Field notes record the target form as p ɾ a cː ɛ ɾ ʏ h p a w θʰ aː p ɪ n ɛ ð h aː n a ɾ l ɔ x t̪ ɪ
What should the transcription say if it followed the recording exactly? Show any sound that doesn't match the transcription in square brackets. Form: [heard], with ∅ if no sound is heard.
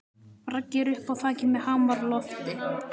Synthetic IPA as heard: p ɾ a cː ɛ ɾ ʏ h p a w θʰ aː [c] ɪ [m] ɛ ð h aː [m] a ɾ l ɔ [f] t̪ ɪ